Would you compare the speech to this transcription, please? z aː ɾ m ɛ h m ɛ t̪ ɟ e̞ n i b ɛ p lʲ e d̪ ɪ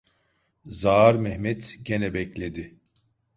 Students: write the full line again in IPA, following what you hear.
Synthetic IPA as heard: z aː ɾ m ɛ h m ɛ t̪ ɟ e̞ n ɛ b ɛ c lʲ e d̪ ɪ